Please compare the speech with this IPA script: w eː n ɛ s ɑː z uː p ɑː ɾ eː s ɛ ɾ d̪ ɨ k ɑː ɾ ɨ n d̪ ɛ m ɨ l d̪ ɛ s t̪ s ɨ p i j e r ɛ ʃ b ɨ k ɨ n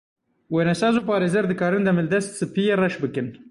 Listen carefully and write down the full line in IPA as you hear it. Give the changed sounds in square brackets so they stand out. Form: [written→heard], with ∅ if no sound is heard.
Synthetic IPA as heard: w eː n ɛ s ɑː z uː p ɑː ɾ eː [s→z] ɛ ɾ d̪ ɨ k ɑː ɾ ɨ n d̪ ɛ m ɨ l d̪ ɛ s t̪ s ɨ p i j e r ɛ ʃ b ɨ k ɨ n

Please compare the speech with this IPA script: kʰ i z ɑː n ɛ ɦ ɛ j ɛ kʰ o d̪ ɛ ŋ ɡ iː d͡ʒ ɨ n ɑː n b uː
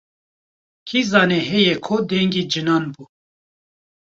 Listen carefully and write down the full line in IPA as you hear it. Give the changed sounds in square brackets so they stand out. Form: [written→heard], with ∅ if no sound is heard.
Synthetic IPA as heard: kʰ i z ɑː n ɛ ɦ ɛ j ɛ kʰ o d̪ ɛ ŋ ɡ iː d͡ʒ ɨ n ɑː n b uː

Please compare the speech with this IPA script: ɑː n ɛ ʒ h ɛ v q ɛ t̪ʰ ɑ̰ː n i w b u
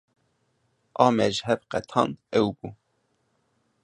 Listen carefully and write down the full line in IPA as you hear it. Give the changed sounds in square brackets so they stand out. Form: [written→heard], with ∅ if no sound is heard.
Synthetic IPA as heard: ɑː [n→m] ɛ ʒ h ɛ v q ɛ t̪ʰ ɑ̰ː n [i→ɛ] w b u

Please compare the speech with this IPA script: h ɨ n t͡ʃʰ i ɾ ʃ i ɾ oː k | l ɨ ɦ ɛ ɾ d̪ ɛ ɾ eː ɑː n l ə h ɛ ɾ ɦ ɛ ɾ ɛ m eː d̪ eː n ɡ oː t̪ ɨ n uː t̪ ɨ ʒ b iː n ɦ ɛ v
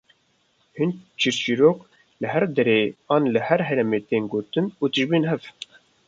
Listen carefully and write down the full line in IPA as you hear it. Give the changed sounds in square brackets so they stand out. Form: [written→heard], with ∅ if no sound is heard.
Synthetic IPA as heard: h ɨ n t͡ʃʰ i ɾ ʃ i ɾ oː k | l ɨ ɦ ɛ ɾ d̪ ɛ ɾ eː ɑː n l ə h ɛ ɾ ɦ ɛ ɾ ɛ m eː [d̪→t̪] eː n ɡ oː t̪ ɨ n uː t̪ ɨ ʒ b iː n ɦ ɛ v

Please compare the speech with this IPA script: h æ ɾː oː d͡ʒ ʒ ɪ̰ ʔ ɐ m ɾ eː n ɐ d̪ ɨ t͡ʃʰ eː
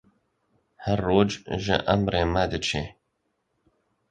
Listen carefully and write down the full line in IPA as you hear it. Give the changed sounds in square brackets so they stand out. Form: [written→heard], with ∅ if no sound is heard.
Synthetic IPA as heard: h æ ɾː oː d͡ʒ ʒ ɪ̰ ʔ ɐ m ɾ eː [n→m] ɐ d̪ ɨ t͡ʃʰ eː

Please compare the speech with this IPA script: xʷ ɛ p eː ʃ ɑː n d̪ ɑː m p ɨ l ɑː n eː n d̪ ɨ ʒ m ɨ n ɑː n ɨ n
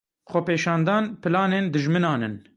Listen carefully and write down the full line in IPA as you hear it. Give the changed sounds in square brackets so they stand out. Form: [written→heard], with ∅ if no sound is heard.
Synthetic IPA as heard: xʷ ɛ p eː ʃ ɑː n d̪ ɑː [m→n] p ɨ l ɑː n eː n d̪ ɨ ʒ m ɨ n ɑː n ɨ n

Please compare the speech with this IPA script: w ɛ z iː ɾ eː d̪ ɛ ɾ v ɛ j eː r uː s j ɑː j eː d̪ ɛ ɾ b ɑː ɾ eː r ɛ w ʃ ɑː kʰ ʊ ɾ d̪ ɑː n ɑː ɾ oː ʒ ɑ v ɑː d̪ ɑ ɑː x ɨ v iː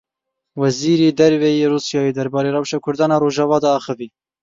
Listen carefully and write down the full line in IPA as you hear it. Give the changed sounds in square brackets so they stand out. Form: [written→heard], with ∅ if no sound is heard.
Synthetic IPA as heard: w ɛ z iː ɾ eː d̪ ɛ ɾ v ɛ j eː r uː s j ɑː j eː d̪ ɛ ɾ b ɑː ɾ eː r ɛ w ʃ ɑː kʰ ʊ ɾ d̪ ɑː n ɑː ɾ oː ʒ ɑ v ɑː d̪ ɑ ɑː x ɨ v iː

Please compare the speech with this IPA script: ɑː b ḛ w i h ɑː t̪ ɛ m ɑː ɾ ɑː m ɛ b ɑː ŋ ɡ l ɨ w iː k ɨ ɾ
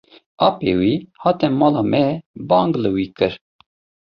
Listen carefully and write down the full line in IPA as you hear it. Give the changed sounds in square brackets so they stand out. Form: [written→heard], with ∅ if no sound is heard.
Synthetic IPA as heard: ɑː [b→p] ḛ w i h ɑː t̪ ɛ m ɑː [ɾ→l] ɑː m ɛ b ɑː ŋ ɡ l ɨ w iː k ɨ ɾ

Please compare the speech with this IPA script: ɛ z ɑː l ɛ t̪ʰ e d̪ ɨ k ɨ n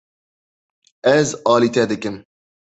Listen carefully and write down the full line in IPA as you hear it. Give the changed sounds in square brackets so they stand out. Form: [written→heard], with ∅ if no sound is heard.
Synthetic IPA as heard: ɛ z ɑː l [ɛ→i] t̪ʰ [e→ɛ] d̪ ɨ k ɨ [n→m]

